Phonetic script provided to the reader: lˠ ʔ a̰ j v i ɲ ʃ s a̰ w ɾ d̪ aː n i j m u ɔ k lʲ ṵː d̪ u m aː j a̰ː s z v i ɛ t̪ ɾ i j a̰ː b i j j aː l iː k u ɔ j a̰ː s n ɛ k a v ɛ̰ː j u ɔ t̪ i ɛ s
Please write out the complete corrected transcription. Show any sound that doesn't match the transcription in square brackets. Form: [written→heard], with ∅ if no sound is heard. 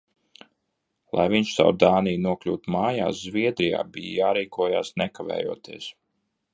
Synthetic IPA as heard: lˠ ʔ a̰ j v i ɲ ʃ s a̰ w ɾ d̪ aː n i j [m→n] u ɔ k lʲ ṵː [d̪→t̪] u m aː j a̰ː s z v i ɛ [t̪→d̪] ɾ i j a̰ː b i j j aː [l→ɾ] iː k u ɔ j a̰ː s n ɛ k a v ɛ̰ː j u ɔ t̪ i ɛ s

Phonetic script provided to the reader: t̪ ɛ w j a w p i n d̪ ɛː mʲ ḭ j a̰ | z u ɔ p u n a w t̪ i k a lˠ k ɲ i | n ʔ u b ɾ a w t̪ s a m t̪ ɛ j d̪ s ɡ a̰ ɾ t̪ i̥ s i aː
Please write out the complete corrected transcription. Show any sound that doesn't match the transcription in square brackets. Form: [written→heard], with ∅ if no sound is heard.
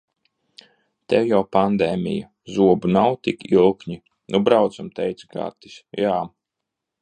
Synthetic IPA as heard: t̪ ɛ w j a w p [i→a] n d̪ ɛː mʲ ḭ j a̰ | z u ɔ [p→b] u n a w t̪ i k [a→i] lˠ k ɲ i | n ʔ u b ɾ a w t̪ s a m t̪ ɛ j [d̪→t̪] s ɡ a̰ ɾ t̪ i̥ s [i→j] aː

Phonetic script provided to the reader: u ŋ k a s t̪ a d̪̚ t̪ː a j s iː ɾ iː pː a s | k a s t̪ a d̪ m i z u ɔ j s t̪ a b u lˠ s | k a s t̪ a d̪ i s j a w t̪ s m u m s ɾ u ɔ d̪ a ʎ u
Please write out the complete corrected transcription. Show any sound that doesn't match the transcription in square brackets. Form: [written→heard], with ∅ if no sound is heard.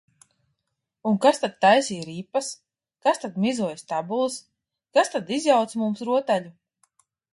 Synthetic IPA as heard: u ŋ k a s t̪ a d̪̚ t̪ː a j s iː ɾ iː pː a s | k a s t̪ a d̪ m i z u ɔ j s t̪ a b u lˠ s | k a s t̪ a d̪ i [s→z] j a w t̪ s m u m s ɾ u ɔ [d̪→t̪] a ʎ u

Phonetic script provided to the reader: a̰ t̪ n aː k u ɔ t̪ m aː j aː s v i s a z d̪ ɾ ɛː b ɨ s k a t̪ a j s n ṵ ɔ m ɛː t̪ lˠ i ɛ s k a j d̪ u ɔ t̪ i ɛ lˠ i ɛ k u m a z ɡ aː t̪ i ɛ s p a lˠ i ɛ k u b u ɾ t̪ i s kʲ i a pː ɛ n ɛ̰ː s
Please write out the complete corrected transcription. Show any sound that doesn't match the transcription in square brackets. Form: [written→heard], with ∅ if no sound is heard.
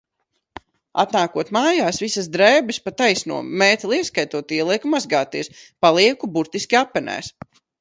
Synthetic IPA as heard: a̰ t̪ n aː k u ɔ t̪ m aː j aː s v i s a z d̪ ɾ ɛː b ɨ s [k→p] a t̪ a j s n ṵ ɔ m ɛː t̪ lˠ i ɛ s k a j [d̪→t̪] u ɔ t̪ i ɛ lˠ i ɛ k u m a z ɡ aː t̪ i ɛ s p a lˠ i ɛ k u b u ɾ t̪ i s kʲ i a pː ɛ n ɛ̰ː s

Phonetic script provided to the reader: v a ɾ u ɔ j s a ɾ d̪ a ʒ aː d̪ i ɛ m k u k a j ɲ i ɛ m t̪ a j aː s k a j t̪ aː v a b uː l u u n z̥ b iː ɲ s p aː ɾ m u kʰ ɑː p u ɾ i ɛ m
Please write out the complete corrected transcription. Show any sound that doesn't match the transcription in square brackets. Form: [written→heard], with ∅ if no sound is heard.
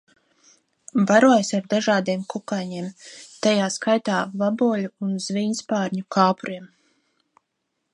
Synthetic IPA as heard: v a ɾ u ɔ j s a ɾ d̪ a ʒ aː d̪ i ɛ m k u k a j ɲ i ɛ m t̪ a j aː s k a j t̪ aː v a b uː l u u n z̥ [b→v] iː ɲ s p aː ɾ [m→ɲ] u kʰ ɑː p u ɾ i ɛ m

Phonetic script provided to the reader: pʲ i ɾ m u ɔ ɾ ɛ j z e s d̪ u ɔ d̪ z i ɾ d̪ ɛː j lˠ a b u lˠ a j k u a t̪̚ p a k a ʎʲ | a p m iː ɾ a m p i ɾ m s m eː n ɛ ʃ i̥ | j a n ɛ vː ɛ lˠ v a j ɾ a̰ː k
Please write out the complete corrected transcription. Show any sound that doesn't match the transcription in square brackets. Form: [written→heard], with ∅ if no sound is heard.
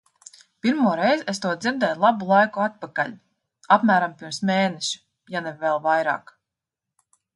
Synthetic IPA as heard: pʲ i ɾ m u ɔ ɾ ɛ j z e s [d̪→t̪] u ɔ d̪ z i ɾ d̪ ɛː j lˠ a b u lˠ a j k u a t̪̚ p a k a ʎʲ | a p m [iː→æː] ɾ a m p i ɾ m s m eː n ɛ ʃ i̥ | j a n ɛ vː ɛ lˠ v a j ɾ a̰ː k

